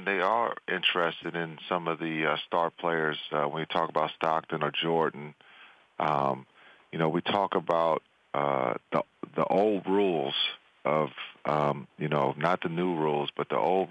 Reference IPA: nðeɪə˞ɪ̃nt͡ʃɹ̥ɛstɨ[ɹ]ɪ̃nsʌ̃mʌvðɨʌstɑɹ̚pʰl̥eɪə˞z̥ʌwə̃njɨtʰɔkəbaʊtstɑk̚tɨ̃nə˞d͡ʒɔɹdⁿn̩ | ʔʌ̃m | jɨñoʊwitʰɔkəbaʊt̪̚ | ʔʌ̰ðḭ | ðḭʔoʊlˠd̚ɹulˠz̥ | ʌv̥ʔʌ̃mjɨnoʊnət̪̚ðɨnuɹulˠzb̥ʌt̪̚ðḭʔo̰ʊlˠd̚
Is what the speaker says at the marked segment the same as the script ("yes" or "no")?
no